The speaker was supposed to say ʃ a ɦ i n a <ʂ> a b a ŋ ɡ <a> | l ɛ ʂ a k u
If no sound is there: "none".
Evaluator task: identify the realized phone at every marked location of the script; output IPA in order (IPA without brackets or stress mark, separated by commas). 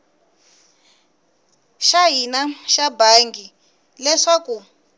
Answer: ʃ, i